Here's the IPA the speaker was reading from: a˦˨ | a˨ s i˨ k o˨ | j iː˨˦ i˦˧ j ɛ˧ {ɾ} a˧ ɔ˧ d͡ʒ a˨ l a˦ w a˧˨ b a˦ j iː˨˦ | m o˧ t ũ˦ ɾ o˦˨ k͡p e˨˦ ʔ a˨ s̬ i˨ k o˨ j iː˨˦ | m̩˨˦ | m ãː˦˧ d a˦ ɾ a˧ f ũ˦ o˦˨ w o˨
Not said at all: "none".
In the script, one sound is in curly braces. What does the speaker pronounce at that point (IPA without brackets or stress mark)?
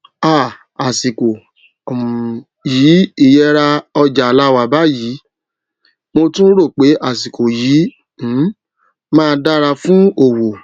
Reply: ɾ